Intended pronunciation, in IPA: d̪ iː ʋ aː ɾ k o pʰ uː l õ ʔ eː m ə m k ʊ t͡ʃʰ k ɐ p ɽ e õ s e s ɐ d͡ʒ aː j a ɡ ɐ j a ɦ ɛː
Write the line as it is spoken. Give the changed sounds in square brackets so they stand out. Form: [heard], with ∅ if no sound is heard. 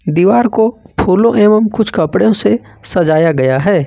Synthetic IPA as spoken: d̪ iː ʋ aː ɾ k o pʰ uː l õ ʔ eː m ə m k ʊ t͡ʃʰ k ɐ p ɽ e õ s e s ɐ d͡ʒ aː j a ɡ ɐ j a ɦ ɛː